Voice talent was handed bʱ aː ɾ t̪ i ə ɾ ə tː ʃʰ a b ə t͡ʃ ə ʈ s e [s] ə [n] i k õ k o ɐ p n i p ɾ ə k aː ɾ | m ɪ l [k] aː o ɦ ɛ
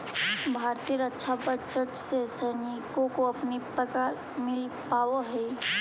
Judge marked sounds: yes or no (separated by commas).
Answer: yes, yes, no